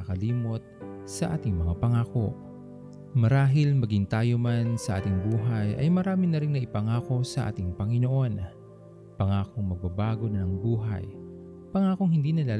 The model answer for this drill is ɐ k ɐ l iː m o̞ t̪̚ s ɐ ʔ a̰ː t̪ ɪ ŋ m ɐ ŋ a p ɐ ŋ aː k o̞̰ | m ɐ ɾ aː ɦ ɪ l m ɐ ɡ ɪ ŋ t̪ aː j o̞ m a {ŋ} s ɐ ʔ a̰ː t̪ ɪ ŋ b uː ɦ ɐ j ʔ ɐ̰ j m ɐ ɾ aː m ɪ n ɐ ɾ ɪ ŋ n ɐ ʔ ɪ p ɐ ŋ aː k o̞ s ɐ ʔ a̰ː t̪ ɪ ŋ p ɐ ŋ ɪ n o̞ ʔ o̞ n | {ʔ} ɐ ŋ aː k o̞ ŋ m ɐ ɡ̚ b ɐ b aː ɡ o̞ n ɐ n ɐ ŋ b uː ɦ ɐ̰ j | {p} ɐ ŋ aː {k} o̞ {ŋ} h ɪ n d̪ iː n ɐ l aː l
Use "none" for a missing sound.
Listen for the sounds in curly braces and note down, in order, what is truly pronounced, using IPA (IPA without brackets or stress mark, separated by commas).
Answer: n, p, p, k, ŋ